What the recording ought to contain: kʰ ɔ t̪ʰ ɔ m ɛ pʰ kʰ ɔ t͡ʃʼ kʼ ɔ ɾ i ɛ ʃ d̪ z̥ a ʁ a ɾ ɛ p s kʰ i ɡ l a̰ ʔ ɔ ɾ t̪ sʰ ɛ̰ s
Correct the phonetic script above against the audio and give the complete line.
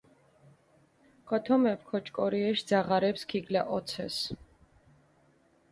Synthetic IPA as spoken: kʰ ɔ t̪ʰ ɔ m ɛ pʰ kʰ ɔ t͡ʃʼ kʼ ɔ ɾ i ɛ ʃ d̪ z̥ a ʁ a ɾ ɛ p s kʰ i ɡ l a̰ ʔ ɔ t̪ sʰ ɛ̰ s